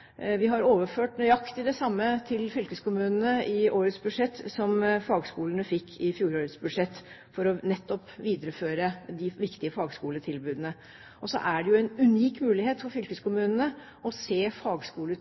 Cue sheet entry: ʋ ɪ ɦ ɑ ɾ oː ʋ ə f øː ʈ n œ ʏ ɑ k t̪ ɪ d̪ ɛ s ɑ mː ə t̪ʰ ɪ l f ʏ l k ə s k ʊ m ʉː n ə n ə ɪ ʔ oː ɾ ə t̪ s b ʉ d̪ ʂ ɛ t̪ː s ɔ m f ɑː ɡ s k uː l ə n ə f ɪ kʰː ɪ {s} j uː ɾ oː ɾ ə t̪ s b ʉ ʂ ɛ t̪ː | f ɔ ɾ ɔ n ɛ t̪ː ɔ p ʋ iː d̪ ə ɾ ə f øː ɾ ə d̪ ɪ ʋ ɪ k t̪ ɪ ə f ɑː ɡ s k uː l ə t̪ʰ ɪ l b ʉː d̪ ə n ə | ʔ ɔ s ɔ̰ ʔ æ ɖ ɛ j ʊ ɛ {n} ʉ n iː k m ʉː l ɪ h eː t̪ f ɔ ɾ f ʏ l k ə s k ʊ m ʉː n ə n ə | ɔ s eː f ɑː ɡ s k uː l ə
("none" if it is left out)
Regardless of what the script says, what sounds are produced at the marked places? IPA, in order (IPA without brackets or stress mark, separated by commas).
f, n